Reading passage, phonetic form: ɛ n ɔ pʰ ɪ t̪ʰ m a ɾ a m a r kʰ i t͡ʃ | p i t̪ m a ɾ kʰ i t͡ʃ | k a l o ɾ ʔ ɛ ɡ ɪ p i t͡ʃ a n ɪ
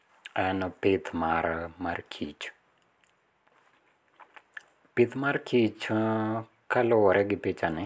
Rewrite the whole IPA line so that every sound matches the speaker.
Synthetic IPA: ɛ n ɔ p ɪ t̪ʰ m a ɾ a m a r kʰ i t͡ʃ | p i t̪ m a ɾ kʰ i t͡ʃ | k a l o ɾ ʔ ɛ ɡ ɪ p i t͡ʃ a n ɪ